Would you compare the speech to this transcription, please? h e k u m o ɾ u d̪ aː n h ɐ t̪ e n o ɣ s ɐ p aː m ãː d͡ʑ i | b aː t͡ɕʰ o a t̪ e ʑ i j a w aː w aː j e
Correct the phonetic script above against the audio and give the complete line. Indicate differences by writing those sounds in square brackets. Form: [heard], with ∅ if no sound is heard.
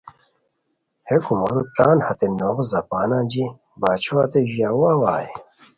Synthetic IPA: h e k u m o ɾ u [t̪] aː n h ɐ t̪ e n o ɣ [z] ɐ p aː [n] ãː d͡ʑ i | b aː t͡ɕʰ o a t̪ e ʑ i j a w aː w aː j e